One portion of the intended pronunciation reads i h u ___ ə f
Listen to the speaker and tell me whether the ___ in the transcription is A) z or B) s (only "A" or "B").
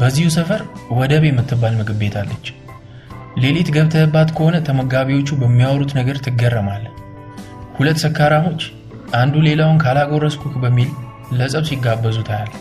B